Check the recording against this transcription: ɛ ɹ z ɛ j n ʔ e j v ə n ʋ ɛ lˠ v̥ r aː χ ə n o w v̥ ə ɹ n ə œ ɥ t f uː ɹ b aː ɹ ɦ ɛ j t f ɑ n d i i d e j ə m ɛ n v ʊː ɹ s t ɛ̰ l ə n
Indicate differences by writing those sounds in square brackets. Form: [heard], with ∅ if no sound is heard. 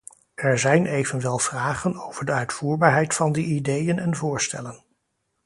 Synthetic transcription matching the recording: ɛ ɹ z ɛ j n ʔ e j v ə n ʋ ɛ lˠ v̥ r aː χ ə n o w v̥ ə ɹ [d] ə œ ɥ t f uː ɹ b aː ɹ ɦ ɛ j t f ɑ n d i i d e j ə [n] ɛ n v ʊː ɹ s t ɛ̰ l ə n

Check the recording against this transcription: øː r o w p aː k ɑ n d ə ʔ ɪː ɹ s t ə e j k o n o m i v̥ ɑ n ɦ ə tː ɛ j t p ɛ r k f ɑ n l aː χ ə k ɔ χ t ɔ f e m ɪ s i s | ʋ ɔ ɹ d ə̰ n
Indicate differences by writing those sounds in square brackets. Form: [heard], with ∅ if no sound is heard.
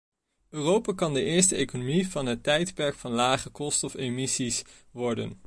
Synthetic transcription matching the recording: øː r o w p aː k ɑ n d ə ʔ ɪː ɹ s t ə e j k o n o m i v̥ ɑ n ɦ ə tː ɛ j t p ɛ [ɹ] k f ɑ n l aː χ ə k ɔ [s] t ɔ f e m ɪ s i s | ʋ ɔ ɹ d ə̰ n

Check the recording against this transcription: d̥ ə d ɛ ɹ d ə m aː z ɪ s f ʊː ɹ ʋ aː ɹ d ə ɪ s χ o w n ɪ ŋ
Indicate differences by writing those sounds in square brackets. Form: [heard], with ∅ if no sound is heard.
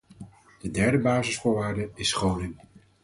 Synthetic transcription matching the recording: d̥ ə d ɛ ɹ d ə [b] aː z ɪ s f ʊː ɹ ʋ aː ɹ d ə ɪ s χ o w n ɪ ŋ

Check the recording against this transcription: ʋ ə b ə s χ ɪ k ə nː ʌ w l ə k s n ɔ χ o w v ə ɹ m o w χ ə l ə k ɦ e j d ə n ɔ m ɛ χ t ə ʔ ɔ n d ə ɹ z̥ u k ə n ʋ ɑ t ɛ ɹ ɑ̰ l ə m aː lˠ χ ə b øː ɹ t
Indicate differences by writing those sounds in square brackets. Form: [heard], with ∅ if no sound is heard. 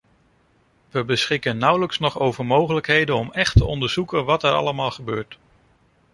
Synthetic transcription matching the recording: ʋ ə b ə s χ ɪ k ə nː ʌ w l ə k s n ɔ χ o w v ə ɹ m o w χ ə l ə k ɦ e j d ə n ɔ m ɛ χ t ə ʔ ɔ n d ə ɹ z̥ u k ə n ʋ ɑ t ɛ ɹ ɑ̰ l ə m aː lˠ χ ə b øː ɹ t

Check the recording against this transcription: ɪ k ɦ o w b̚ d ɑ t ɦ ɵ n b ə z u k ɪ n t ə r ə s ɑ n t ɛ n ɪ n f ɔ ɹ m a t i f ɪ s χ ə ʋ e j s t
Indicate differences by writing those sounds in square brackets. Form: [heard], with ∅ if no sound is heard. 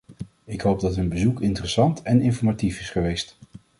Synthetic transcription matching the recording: ɪ k ɦ o w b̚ d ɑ t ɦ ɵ n b ə z u k ɪ n t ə r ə s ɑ n t ɛ n ɪ n f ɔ ɹ m a t i f ɪ s χ ə ʋ e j s t

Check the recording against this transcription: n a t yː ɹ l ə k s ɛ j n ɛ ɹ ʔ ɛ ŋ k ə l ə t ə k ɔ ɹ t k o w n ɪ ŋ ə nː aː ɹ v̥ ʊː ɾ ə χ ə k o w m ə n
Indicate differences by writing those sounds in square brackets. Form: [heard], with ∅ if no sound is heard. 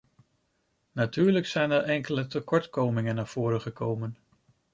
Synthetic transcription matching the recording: n a t yː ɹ l ə k s ɛ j n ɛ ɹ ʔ ɛ ŋ k ə l ə t ə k ɔ ɹ t k o w [m] ɪ ŋ ə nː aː ɹ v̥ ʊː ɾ ə χ ə k o w m ə n

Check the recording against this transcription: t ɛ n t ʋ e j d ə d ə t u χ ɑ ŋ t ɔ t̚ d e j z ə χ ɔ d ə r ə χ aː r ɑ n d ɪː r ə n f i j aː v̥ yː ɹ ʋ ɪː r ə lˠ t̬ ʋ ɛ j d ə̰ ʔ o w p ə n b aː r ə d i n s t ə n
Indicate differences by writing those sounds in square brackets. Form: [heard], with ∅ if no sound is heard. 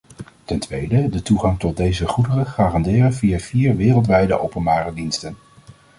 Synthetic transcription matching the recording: t ɛ n t ʋ e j d ə d ə t u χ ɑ ŋ t ɔ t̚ d e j z ə χ [u] d ə r ə χ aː r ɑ n d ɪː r ə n [v] i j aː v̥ [iː] ɹ ʋ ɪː r ə lˠ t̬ ʋ ɛ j d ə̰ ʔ o w p ə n b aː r ə d i n s t ə n

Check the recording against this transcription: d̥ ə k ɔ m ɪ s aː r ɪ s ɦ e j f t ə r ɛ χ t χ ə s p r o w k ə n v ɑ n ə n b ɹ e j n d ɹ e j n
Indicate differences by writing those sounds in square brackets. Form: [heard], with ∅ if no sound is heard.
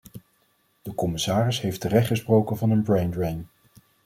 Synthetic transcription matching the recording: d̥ ə k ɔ m ɪ s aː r ɪ s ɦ e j f t ə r ɛ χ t χ ə s p r o w k ə n v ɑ n ə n b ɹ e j n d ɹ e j n

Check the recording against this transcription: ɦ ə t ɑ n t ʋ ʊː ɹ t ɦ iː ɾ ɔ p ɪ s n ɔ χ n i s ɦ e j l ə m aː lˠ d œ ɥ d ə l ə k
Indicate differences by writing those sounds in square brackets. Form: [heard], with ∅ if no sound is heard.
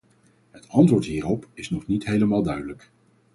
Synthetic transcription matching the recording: ɦ ə t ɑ n t ʋ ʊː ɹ t ɦ iː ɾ ɔ p ɪ s n ɔ χ n i [t] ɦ e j l ə m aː lˠ d œ ɥ d ə l ə k

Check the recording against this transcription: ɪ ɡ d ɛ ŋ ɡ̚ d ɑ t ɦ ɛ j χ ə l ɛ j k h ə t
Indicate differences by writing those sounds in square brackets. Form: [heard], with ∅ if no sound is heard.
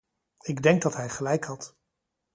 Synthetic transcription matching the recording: ɪ ɡ d ɛ ŋ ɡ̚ d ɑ t ɦ ɛ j χ ə l ɛ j k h [ɑ] t

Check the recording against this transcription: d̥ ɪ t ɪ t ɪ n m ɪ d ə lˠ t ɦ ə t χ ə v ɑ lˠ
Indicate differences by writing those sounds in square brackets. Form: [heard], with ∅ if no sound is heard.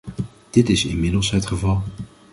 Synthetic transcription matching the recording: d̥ ɪ t ɪ [s] ɪ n m ɪ d ə lˠ [s] ɦ ə t χ ə v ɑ lˠ

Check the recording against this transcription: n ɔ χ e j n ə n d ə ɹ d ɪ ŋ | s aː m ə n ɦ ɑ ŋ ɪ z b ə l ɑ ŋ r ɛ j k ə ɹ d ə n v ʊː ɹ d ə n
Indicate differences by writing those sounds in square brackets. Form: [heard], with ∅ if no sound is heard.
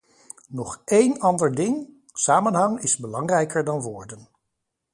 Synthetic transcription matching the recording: n ɔ χ e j n [ɑ] n d ə ɹ d ɪ ŋ | s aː m ə n ɦ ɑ ŋ ɪ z b ə l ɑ ŋ r ɛ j k ə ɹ d [ɑ] n [ʋ] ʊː ɹ d ə n

